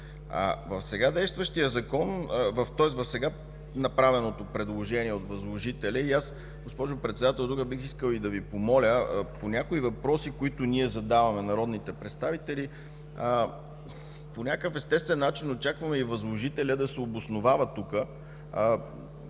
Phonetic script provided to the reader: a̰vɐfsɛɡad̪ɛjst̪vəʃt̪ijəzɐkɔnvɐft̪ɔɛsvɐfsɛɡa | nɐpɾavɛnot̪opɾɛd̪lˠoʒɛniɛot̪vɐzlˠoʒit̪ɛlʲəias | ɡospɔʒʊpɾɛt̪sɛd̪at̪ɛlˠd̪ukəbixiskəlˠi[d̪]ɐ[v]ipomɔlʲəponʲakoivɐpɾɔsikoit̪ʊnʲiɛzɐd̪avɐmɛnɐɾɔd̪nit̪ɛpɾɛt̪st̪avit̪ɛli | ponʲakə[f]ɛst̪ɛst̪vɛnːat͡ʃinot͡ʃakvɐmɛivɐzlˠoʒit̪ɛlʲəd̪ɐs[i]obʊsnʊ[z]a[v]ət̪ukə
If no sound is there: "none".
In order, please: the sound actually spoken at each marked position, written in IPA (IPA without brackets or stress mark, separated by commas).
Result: d̪, v, f, ɛ, v, v